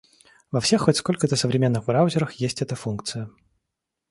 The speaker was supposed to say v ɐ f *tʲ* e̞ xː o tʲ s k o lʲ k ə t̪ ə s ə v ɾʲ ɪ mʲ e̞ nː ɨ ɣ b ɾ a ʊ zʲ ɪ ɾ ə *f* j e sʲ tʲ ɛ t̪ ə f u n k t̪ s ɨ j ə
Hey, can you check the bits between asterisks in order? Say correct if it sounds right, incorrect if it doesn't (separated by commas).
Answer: incorrect, incorrect